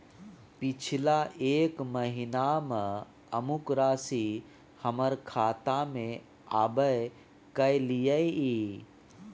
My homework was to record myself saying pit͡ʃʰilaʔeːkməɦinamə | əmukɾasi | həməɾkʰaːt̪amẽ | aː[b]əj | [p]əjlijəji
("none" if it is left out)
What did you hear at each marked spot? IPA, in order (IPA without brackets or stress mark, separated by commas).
b, k